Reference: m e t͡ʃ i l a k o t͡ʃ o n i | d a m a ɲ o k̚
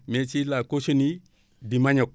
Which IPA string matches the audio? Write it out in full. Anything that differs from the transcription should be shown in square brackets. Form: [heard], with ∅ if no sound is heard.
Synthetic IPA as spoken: m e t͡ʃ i l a k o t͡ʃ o n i | d [i] m a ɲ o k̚